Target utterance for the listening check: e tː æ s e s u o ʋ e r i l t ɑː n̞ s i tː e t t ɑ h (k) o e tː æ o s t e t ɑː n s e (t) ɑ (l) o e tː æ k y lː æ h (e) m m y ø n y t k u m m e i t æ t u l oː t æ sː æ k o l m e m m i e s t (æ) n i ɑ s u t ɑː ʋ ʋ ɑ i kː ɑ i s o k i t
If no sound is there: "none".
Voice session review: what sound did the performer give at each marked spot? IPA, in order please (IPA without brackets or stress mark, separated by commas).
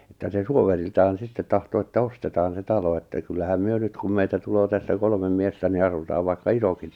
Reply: t, t, l, æ, æ